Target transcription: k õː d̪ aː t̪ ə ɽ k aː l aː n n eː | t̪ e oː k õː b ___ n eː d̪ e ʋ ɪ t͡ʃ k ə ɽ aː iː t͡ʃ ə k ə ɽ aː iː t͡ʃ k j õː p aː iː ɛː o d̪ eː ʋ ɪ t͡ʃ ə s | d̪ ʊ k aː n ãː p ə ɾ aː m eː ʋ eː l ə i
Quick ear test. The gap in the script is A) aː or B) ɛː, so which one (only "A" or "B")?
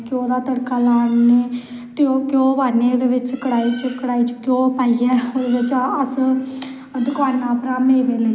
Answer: A